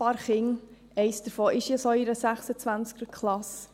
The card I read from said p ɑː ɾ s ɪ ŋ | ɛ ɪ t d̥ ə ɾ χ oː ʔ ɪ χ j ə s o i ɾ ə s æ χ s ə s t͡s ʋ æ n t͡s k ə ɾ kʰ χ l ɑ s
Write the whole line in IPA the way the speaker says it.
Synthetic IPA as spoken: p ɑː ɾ χ ɪ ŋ | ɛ ɪ s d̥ ə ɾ f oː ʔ ɪ ʃ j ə s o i ɾ ə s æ χ s ə t͡s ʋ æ n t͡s k ə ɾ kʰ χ l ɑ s